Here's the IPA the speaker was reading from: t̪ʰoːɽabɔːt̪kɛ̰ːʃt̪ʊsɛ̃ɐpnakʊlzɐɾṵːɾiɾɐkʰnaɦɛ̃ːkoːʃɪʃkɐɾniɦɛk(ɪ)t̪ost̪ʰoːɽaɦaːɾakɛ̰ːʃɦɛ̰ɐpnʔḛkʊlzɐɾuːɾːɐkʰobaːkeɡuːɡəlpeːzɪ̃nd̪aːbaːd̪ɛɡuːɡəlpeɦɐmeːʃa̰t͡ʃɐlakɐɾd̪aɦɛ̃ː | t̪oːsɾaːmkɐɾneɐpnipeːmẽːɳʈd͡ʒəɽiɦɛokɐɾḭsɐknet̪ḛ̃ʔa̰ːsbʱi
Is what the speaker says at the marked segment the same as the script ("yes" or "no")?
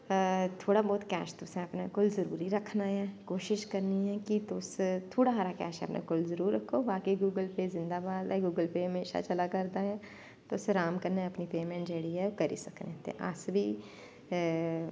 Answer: no